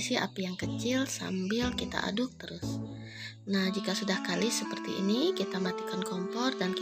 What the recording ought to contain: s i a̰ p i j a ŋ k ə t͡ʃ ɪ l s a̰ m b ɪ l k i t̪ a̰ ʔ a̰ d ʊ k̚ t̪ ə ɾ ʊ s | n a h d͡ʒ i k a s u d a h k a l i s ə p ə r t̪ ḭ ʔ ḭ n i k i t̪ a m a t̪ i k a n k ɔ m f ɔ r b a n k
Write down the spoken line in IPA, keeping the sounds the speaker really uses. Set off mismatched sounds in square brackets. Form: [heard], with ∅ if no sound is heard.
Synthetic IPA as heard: s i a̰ p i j a ŋ k ə t͡ʃ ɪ l s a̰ m b ɪ l k i t̪ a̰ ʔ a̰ d ʊ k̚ t̪ ə ɾ ʊ s | n a h d͡ʒ i k a s u d a h k a l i s ə p ə r t̪ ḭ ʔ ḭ n i k i t̪ a m a t̪ i k a n k ɔ m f ɔ r [d] a n k